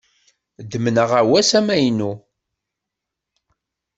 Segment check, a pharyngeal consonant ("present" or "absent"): absent